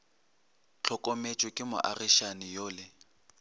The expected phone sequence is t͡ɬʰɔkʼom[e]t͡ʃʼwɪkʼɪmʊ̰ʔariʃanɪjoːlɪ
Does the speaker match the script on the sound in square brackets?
yes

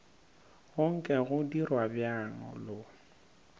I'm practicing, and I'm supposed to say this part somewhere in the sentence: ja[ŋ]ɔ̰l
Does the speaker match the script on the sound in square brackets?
yes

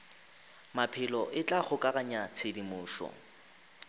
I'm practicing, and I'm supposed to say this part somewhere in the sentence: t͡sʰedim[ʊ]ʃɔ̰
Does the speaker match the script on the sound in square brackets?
no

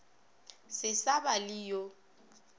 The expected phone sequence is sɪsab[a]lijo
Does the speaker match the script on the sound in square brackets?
yes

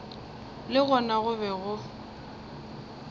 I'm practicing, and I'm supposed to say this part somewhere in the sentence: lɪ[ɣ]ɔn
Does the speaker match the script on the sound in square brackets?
yes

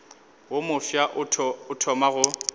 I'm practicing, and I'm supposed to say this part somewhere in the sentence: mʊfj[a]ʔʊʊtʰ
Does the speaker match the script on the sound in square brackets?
yes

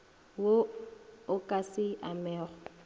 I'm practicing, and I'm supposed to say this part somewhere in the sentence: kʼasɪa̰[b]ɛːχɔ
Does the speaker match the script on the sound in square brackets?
no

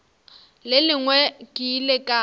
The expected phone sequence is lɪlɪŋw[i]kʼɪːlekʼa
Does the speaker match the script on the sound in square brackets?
no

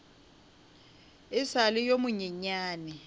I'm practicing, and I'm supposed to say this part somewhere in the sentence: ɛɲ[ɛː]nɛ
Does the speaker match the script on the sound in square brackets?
no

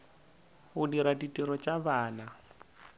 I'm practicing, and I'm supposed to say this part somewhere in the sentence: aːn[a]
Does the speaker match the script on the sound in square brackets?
yes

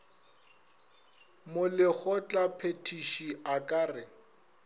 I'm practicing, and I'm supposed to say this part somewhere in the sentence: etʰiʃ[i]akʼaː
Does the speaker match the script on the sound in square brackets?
yes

